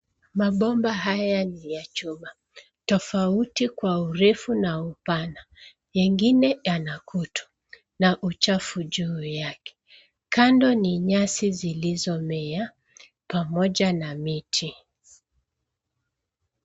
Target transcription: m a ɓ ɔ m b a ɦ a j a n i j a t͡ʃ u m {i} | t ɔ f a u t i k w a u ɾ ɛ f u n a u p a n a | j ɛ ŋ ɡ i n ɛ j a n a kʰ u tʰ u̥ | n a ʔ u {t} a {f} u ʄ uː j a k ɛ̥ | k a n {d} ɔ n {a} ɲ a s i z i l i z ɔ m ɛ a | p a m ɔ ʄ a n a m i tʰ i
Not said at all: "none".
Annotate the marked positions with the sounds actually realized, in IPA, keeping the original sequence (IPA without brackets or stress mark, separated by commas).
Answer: a, t͡ʃ, f, d, i